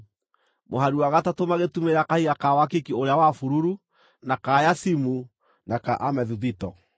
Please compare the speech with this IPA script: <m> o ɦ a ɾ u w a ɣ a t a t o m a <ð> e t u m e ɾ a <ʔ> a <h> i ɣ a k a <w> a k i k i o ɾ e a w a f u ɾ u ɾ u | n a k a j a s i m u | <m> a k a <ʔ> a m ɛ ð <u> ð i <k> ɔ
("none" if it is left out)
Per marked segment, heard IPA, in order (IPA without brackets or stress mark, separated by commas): m, ɣ, k, h, w, n, ʔ, u, t